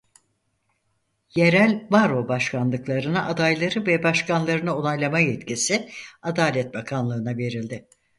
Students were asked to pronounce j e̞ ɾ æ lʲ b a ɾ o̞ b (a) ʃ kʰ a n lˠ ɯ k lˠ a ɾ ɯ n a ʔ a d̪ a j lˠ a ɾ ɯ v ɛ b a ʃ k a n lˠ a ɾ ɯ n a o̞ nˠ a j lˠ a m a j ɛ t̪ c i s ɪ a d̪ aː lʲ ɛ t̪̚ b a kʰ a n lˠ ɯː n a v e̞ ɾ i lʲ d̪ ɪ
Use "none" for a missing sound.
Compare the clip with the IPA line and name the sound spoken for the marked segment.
a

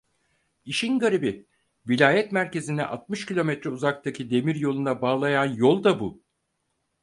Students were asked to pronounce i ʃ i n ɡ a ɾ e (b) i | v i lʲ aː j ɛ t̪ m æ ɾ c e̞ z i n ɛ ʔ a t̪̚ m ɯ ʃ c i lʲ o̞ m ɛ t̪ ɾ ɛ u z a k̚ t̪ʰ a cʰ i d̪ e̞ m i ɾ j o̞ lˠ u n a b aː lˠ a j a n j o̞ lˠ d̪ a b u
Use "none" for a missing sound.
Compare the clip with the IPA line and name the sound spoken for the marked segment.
b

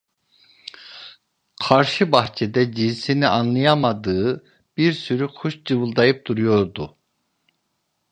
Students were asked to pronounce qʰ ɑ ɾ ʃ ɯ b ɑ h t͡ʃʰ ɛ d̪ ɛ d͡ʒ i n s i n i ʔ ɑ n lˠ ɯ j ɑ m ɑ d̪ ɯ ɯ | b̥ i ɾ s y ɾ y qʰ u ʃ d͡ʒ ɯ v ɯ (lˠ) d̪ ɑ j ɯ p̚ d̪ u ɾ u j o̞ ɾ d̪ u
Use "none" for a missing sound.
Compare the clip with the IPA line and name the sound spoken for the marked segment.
lˠ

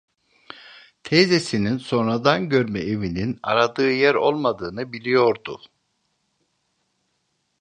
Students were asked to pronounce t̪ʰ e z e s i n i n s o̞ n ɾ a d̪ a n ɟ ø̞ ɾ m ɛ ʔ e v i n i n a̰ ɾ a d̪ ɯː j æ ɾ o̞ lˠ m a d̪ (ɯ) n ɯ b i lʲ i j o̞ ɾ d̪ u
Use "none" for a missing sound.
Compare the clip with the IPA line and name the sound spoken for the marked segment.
ɯː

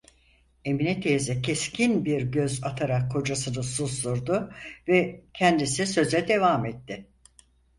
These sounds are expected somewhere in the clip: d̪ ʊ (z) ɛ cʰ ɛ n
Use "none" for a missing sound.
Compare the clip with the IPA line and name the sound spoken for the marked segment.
v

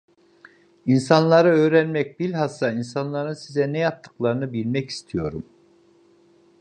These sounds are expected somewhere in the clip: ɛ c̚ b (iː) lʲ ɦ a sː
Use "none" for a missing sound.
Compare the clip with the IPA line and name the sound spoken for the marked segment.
i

